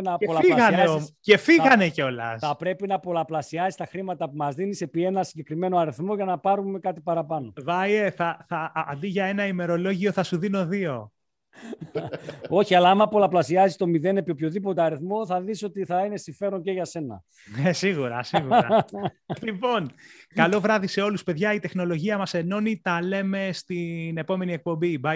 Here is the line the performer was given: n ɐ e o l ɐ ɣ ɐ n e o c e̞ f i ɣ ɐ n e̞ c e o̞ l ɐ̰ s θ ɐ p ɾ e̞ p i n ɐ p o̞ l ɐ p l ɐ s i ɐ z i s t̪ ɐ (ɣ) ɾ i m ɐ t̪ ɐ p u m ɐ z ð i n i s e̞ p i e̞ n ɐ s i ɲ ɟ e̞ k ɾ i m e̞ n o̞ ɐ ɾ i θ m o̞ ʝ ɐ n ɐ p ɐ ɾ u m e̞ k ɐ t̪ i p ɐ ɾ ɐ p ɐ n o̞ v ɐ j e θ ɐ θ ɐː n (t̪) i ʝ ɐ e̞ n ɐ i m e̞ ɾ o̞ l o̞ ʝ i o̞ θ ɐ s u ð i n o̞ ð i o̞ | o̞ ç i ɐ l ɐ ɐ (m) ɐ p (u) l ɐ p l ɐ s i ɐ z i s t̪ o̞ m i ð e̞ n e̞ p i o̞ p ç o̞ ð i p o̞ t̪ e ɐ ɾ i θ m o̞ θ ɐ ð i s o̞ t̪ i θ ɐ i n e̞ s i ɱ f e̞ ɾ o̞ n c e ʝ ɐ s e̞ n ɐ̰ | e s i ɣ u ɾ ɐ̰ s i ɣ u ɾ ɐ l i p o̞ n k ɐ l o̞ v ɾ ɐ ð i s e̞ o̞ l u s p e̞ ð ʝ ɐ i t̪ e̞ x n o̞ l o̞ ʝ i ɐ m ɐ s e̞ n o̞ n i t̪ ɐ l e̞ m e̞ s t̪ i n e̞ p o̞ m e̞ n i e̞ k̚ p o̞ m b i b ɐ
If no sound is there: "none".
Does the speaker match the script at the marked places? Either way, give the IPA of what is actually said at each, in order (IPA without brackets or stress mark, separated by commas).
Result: x, d̪, m, o